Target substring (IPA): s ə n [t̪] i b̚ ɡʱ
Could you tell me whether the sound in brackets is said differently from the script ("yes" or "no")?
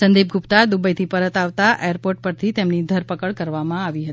yes